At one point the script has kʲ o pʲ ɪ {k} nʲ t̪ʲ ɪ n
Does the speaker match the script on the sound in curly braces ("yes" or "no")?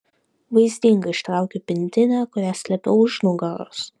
no